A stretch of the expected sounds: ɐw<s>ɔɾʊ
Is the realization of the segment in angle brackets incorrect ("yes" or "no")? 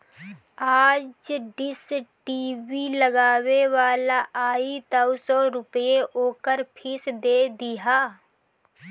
no